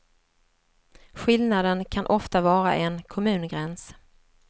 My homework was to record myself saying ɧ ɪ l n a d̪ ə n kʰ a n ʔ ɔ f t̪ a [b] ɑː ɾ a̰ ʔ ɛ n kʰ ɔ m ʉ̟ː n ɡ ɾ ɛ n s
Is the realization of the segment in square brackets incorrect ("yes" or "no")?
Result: yes